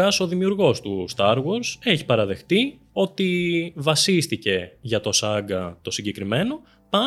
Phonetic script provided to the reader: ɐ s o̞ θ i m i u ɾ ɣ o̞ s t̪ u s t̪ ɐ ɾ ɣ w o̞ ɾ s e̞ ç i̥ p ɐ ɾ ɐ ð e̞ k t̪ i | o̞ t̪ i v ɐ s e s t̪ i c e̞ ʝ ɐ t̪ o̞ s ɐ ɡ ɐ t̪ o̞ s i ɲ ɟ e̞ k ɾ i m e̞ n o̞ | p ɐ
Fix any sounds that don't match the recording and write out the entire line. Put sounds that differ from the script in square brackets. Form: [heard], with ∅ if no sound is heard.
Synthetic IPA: ɐ s o̞ [ð] i m i u ɾ ɣ o̞ s t̪ u s t̪ ɐ ɾ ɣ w o̞ ɾ s e̞ ç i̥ p ɐ ɾ ɐ ð e̞ [x] t̪ i | o̞ t̪ i v ɐ s [i] s t̪ i c e̞ ʝ ɐ t̪ o̞ s ɐ ɡ ɐ t̪ o̞ s i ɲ ɟ e̞ k ɾ i m e̞ n o̞ | p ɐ